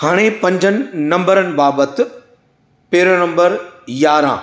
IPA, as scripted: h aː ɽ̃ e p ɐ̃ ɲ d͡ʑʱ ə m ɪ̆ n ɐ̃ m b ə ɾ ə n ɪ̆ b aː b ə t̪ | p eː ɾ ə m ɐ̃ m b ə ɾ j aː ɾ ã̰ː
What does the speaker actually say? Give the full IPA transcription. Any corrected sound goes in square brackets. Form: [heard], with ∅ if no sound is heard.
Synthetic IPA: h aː ɽ̃ e p ɐ̃ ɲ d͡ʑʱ ə [n] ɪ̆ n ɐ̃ m b ə ɾ ə n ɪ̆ b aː b ə t̪ | p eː ɾ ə [n] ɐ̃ m b ə ɾ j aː ɾ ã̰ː